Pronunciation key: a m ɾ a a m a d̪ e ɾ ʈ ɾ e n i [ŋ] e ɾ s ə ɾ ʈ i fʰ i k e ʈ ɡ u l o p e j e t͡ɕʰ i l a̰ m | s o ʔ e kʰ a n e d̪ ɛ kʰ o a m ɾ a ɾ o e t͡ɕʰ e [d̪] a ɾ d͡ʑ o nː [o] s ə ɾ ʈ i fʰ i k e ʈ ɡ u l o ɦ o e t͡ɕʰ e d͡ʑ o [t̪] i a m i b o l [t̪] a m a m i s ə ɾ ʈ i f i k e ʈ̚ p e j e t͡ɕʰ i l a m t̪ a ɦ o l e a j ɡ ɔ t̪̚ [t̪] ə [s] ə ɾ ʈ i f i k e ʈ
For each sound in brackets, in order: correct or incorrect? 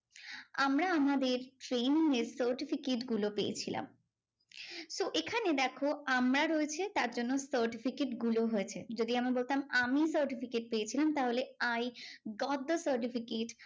correct, incorrect, correct, incorrect, correct, incorrect, correct

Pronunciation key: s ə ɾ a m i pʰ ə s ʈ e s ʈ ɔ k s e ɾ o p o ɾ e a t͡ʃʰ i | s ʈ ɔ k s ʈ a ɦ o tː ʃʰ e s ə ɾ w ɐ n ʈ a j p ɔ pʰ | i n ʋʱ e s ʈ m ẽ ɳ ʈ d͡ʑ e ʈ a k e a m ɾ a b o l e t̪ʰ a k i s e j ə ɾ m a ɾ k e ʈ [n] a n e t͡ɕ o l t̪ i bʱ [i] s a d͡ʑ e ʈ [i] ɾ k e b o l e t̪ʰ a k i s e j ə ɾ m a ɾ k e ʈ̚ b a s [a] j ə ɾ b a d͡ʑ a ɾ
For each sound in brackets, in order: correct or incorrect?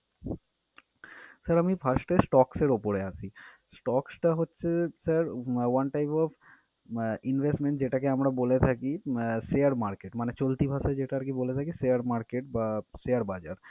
incorrect, incorrect, incorrect, incorrect

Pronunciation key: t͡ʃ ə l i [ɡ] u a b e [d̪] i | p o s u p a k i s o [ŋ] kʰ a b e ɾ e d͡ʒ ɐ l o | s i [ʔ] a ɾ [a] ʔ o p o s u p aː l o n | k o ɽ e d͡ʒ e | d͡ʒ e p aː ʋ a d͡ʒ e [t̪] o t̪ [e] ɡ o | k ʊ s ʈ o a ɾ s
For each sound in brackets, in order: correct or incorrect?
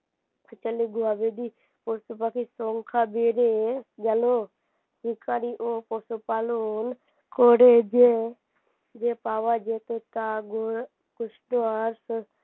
correct, correct, correct, incorrect, incorrect, correct, incorrect

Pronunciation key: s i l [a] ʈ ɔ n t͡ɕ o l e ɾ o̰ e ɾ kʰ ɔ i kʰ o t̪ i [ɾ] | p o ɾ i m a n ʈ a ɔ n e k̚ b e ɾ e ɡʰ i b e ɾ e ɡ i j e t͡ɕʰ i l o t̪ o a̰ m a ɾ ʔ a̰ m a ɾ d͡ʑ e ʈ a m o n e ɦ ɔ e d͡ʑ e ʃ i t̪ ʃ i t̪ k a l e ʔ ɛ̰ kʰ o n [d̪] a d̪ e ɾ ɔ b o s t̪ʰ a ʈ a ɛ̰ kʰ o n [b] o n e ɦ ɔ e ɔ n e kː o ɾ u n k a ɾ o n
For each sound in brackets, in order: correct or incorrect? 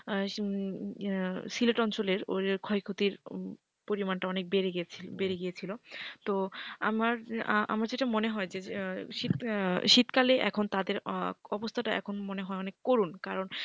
incorrect, correct, incorrect, incorrect

